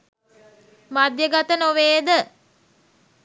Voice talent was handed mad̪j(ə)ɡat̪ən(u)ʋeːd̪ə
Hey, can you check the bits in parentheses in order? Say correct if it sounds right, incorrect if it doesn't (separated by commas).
correct, incorrect